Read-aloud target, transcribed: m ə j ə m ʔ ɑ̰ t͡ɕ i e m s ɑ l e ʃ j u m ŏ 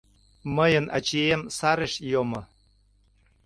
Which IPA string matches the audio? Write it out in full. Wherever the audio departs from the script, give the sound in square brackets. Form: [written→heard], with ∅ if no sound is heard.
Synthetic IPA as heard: m ə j ə [m→n] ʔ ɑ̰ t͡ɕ i e m s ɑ [l→ɾ] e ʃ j [u→o] m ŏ